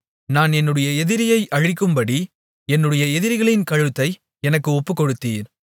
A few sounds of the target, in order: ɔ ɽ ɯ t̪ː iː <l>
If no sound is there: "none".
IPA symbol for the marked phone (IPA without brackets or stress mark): ɾ